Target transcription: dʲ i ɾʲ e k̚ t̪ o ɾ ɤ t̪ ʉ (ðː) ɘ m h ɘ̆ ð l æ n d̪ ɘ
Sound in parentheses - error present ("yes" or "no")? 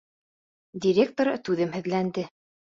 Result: yes